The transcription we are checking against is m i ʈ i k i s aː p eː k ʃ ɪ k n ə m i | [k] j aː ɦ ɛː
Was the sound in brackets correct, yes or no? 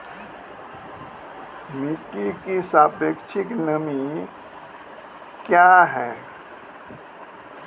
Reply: yes